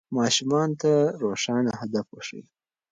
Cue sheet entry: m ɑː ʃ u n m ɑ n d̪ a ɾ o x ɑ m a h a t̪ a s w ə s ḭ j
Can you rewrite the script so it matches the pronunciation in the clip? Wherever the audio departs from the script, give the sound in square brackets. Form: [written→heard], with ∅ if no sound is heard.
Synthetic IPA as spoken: m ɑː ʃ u [n→∅] m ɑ n [d̪→t̪] a ɾ o [x→ʂ] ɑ [m→n] a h a [t̪→d̪] a [s→f] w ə [s→ʂ] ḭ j